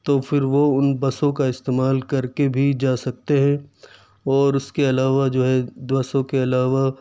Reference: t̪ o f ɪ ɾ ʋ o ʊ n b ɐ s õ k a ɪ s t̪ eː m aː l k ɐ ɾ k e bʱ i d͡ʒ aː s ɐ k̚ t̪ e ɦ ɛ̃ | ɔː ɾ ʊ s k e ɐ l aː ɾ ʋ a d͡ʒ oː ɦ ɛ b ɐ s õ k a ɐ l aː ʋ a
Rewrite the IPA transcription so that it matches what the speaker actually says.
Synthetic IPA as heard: t̪ o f ɪ ɾ ʋ o ʊ n b ɐ s õ k a ɪ s t̪ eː m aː l k ɐ ɾ k e bʱ i d͡ʒ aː s ɐ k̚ t̪ e ɦ ɛ̃ | ɔː ɾ ʊ s k e ɐ l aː ʋ a d͡ʒ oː ɦ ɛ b ɐ s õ k e ɐ l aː ʋ a